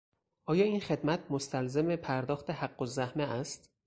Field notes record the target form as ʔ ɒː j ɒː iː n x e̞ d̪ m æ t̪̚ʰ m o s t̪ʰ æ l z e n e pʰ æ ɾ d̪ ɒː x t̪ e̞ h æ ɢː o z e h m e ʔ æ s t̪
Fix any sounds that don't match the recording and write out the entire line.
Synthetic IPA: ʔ ɒː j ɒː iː n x e̞ d̪ m æ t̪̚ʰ m o s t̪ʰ æ l z e m e pʰ æ ɾ d̪ ɒː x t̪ e̞ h æ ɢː o z æ h m e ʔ æ s t̪